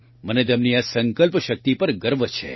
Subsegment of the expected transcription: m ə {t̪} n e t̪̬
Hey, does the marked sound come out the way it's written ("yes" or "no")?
no